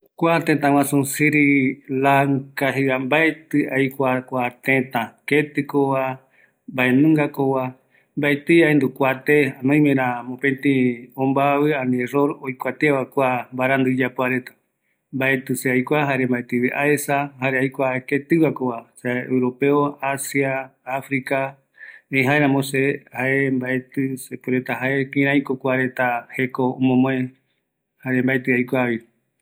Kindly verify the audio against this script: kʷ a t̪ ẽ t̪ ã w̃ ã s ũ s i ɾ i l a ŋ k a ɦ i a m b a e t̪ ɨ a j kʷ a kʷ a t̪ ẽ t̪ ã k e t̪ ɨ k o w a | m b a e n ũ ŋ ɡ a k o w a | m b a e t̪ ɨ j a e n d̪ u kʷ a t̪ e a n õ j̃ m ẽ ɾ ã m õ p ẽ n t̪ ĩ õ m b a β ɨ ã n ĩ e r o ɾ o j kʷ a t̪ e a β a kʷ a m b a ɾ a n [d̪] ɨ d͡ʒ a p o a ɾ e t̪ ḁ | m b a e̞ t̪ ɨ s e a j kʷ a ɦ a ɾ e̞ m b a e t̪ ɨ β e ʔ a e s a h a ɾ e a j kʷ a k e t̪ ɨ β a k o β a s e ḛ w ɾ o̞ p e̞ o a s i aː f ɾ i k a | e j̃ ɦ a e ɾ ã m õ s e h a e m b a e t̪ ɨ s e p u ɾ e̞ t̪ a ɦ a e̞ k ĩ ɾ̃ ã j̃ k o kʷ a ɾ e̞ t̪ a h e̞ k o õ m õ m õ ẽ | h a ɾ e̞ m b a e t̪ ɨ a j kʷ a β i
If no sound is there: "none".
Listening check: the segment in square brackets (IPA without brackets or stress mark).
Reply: d̪